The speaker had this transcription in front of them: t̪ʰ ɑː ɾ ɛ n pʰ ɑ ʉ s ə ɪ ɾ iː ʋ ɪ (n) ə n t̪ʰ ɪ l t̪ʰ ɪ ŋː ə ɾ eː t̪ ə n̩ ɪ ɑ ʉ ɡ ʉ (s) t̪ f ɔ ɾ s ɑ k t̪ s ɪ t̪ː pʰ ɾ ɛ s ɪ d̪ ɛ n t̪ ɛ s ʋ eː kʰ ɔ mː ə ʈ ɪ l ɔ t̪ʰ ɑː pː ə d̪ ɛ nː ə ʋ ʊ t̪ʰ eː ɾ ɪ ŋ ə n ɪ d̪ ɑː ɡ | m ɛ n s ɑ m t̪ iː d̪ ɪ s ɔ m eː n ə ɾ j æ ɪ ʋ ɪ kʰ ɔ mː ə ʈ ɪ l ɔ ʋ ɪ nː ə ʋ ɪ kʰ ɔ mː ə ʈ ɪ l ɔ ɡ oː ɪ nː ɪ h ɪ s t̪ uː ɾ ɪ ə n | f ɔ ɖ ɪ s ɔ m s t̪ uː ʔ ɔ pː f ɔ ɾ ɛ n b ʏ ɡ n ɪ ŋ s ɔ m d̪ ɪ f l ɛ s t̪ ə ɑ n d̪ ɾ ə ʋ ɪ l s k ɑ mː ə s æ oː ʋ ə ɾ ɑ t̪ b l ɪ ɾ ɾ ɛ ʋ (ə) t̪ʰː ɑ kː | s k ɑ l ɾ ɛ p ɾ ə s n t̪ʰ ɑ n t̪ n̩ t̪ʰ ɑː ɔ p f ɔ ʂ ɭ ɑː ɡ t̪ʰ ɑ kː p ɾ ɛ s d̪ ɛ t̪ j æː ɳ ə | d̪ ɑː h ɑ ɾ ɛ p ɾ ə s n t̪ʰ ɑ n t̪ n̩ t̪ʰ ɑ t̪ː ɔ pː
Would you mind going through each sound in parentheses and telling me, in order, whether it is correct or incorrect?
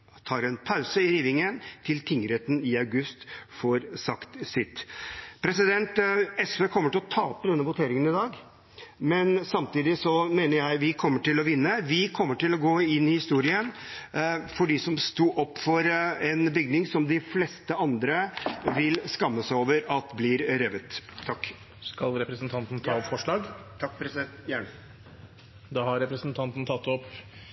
incorrect: ŋ, correct, correct

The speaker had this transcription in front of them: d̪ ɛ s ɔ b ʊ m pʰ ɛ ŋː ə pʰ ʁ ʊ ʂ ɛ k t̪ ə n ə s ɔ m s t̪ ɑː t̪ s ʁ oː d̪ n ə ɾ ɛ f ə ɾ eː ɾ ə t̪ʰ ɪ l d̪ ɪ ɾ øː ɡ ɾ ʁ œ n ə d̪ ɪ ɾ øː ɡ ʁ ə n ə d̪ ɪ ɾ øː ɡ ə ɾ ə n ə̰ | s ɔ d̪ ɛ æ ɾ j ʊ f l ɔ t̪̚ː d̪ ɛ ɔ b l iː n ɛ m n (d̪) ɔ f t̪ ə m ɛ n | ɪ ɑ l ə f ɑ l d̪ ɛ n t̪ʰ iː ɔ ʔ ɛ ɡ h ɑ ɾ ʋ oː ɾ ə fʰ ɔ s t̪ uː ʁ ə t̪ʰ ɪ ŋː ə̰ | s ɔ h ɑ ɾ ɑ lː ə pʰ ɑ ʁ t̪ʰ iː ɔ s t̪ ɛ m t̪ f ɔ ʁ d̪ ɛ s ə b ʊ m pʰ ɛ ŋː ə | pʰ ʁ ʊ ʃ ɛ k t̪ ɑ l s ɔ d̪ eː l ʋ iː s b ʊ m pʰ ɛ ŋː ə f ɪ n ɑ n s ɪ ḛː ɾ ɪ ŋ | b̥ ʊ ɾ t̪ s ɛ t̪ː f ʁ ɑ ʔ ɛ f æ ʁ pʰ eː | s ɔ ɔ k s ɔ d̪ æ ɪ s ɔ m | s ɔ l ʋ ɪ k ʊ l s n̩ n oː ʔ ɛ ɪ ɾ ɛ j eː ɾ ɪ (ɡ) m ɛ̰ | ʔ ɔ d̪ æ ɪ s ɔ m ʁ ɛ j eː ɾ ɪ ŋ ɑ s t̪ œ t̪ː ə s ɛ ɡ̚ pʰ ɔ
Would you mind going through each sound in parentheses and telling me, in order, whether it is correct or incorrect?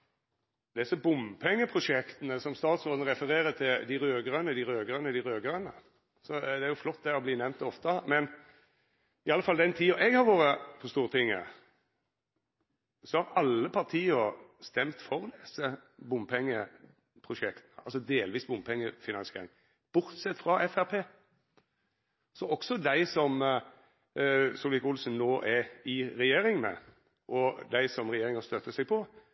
incorrect: t̪, incorrect: ŋ

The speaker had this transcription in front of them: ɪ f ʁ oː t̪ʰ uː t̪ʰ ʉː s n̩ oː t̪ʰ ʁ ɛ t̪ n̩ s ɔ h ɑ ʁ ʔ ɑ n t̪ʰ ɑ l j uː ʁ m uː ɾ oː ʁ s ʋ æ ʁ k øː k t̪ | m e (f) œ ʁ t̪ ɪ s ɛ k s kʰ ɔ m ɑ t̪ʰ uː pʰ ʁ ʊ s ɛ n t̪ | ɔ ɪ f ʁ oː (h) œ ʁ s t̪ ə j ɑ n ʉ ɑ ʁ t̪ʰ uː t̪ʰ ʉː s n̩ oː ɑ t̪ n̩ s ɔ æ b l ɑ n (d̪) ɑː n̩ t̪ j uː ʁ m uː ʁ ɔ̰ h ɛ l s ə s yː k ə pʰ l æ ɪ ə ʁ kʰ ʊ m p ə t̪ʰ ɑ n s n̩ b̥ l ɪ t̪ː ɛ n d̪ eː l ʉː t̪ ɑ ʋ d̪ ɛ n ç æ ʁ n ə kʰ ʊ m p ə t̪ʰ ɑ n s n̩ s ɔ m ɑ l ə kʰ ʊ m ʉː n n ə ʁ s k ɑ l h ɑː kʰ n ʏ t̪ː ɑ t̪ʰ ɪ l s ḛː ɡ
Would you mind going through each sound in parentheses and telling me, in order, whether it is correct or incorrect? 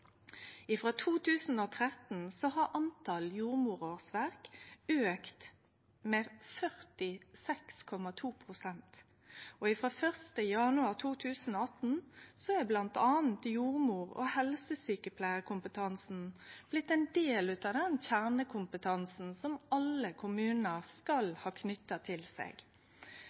correct, incorrect: f, incorrect: t̪

